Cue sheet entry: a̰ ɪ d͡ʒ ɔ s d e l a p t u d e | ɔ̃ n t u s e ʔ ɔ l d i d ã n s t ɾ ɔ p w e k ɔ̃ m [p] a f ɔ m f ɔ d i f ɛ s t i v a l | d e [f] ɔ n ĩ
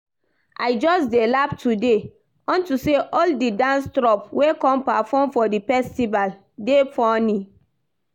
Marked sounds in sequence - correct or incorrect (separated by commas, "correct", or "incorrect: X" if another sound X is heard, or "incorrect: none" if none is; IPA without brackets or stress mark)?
correct, correct